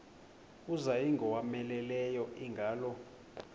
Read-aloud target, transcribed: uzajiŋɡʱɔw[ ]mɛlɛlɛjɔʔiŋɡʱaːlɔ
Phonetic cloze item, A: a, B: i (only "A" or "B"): A